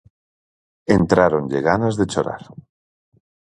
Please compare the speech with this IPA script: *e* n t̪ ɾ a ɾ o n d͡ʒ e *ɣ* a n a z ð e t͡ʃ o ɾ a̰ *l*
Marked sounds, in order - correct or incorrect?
correct, correct, incorrect: ɾ

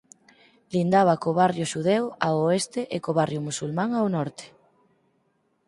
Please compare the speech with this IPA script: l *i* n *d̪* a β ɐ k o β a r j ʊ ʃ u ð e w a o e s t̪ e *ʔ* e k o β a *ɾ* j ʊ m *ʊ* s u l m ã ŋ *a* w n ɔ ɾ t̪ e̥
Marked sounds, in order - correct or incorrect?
correct, correct, correct, incorrect: r, incorrect: u, correct

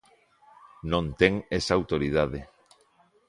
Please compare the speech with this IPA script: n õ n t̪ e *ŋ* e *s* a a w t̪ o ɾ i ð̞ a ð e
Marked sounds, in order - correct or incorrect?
correct, correct

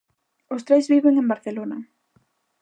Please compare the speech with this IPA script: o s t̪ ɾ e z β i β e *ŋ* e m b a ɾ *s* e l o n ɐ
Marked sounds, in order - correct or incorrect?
correct, incorrect: θ

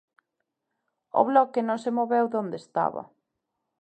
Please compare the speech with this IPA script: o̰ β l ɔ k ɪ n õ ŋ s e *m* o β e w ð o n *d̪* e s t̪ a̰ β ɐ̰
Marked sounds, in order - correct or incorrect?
correct, correct

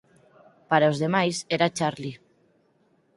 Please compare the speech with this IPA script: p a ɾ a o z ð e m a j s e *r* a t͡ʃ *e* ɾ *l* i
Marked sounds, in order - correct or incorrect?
incorrect: ɾ, incorrect: a, correct

